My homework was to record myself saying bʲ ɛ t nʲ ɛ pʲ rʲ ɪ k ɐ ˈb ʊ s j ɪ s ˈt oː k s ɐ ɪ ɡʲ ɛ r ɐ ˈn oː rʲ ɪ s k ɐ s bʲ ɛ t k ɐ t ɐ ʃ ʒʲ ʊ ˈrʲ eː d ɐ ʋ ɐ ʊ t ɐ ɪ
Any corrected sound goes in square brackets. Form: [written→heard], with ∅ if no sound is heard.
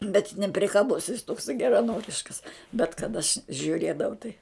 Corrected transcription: bʲ ɛ t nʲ ɛ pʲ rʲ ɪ k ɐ ˈb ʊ s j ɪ s ˈt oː k s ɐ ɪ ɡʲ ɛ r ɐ ˈn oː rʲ ɪ [s→ʃ] k ɐ s bʲ ɛ t k ɐ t ɐ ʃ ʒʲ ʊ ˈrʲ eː d ɐ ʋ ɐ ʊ t ɐ ɪ